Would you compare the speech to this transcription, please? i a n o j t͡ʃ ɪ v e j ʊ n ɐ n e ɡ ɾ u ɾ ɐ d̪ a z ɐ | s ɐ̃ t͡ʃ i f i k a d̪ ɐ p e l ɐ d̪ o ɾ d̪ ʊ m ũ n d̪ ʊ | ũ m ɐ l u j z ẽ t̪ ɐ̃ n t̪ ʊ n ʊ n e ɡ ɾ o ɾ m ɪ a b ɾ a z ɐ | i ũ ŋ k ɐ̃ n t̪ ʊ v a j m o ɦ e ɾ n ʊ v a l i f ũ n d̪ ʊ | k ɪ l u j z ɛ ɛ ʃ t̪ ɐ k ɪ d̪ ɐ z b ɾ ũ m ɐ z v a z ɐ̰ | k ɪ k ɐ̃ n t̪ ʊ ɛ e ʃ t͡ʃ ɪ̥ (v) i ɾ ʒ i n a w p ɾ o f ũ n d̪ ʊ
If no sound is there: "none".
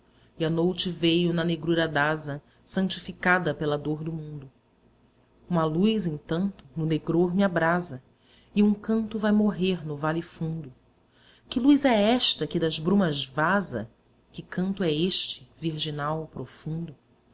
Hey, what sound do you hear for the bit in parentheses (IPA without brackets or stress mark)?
v